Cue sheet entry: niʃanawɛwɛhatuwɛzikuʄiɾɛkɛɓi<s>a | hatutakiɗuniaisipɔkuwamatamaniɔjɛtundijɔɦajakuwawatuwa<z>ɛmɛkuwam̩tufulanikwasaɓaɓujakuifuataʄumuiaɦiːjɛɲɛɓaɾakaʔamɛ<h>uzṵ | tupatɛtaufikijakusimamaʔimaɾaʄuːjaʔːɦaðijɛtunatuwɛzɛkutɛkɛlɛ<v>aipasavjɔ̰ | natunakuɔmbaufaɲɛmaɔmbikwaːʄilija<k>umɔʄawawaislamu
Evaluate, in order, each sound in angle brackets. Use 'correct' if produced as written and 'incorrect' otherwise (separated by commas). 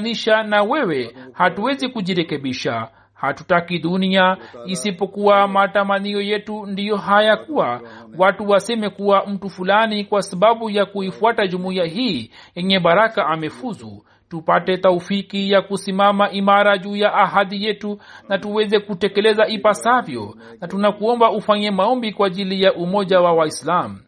incorrect, incorrect, incorrect, incorrect, incorrect